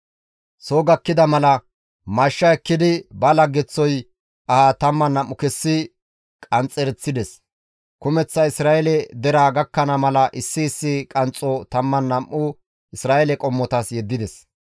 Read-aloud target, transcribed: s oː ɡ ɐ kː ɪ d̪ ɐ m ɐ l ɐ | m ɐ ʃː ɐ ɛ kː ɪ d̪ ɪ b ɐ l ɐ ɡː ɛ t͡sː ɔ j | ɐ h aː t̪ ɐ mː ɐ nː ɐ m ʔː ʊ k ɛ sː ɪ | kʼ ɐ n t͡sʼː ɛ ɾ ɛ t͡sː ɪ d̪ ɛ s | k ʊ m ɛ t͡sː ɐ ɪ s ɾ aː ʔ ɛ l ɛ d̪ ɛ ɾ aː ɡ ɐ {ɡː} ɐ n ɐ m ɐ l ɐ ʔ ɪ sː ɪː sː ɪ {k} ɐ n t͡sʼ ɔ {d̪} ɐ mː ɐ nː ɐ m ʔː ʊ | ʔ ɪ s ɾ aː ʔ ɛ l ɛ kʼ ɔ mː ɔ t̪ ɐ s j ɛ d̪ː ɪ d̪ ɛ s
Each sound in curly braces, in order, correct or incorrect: incorrect: kː, incorrect: kʼ, incorrect: t̪

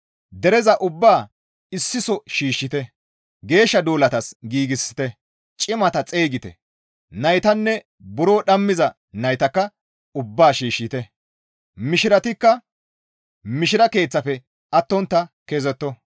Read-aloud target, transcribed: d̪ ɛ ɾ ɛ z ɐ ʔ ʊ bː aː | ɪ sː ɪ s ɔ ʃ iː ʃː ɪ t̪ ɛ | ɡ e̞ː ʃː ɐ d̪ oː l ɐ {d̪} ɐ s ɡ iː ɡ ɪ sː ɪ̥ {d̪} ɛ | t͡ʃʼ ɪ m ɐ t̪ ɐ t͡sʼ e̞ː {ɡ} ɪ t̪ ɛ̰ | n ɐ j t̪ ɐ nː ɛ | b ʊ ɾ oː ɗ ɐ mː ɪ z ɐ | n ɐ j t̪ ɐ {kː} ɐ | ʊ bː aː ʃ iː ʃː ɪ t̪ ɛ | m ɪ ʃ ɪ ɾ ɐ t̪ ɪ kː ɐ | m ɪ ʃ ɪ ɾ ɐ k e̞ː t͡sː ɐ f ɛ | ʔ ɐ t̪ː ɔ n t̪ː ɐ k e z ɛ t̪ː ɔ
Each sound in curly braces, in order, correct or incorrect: incorrect: t̪, incorrect: t̪, correct, correct

